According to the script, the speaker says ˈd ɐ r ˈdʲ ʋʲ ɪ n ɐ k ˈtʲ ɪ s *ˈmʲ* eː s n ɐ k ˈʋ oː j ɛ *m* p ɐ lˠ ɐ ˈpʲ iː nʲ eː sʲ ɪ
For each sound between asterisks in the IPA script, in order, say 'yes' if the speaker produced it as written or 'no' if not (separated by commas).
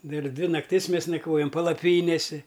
yes, yes